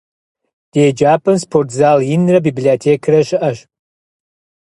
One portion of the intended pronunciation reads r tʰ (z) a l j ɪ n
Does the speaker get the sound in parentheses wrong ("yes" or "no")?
no